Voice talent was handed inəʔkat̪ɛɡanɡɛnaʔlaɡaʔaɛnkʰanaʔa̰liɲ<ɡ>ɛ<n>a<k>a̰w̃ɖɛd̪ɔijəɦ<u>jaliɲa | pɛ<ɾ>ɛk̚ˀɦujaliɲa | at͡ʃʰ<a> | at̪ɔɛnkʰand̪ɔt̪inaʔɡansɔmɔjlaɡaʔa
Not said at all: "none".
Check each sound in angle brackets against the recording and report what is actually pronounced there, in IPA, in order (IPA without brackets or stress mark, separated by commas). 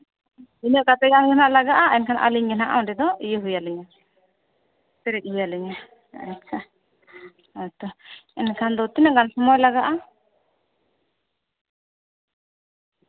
ɡ, n, ʔ, u, ɾ, a